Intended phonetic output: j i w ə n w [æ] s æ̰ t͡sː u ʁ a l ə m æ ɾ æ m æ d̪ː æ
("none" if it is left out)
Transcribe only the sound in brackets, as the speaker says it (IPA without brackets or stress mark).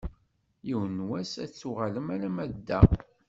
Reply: æ